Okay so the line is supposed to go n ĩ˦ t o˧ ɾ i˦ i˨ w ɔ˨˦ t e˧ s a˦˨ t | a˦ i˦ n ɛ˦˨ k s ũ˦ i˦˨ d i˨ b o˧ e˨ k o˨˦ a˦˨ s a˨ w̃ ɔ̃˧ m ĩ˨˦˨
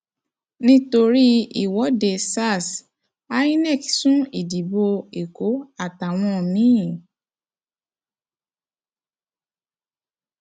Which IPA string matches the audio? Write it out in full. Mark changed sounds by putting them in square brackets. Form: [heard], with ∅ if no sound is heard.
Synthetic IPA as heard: n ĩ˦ t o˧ ɾ i˦ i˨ w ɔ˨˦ [d] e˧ s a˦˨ [s] | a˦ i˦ n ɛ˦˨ k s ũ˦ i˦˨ d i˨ b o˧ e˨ k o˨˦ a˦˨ [t] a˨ w̃ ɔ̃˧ m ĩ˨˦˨